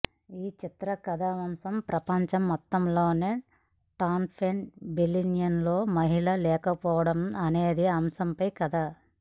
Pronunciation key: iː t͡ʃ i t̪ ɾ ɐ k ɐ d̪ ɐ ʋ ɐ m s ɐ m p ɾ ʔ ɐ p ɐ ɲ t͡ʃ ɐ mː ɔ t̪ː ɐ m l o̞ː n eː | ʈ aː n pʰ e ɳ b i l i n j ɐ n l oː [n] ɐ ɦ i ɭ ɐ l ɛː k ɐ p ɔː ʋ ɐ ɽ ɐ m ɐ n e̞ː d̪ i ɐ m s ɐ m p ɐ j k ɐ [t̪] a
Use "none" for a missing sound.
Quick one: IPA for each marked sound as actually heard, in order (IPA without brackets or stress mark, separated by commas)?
m, d̪